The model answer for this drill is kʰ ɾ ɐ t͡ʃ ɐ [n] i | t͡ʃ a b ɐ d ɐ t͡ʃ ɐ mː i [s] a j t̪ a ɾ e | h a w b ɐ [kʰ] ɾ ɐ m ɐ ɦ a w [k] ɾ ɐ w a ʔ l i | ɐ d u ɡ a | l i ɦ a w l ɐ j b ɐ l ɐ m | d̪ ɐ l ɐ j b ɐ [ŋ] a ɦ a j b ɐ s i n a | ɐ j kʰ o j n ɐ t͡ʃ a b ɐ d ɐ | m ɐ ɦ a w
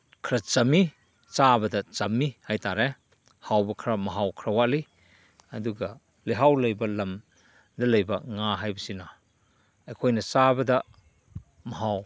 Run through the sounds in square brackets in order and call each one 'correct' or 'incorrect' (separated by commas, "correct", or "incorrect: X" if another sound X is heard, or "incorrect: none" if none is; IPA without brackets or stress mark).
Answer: incorrect: m, incorrect: h, correct, incorrect: kʰ, correct